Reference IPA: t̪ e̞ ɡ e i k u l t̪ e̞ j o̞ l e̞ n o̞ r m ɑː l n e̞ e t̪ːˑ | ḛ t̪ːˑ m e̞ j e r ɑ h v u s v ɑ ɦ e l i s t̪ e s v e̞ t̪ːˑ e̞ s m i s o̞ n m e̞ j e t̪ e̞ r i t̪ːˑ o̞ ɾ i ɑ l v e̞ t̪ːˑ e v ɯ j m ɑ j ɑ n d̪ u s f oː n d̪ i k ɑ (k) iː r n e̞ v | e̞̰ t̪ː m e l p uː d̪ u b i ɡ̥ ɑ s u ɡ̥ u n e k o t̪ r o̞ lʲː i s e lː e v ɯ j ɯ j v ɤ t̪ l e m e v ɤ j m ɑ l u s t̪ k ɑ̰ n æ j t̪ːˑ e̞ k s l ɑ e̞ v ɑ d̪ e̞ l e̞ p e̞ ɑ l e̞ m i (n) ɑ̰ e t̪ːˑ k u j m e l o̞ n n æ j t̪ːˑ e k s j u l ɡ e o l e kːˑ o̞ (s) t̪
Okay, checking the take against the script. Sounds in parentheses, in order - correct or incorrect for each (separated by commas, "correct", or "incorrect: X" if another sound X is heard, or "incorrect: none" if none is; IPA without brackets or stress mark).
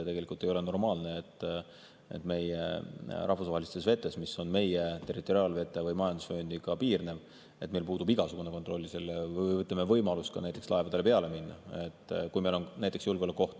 incorrect: p, incorrect: nː, incorrect: h